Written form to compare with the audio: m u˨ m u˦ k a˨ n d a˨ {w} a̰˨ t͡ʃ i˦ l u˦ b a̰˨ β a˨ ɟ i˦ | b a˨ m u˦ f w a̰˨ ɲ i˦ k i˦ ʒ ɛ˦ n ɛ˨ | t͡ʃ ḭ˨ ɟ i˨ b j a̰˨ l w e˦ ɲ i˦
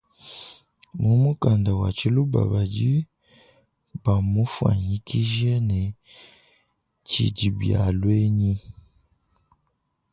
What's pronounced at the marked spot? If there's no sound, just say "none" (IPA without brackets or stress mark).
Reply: w